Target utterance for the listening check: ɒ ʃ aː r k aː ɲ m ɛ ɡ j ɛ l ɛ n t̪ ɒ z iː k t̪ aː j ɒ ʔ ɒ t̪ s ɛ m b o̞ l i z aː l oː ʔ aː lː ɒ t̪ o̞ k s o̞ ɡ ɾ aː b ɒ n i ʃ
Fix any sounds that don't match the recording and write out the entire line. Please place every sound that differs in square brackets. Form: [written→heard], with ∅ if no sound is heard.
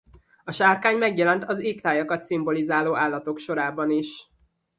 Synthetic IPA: ɒ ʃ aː r k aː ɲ m ɛ ɡ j ɛ l ɛ n t̪ ɒ z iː k t̪ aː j ɒ [ʔ→k] ɒ t̪ s [ɛ→i] m b o̞ l i z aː l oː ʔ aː lː ɒ t̪ o̞ k [s→ʃ] o̞ [ɡ→∅] ɾ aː b ɒ n i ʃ